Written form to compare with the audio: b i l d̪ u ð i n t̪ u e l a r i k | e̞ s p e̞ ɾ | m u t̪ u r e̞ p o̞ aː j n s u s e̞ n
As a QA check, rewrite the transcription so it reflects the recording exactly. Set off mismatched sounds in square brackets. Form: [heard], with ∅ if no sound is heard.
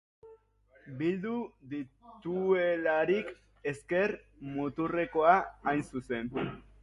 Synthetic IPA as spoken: b i l d̪ u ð i [∅] t̪ u e l a [ɾ] i k | e̞ s [k] e̞ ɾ | m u t̪ u r e̞ [k] o̞ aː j n s u s e̞ n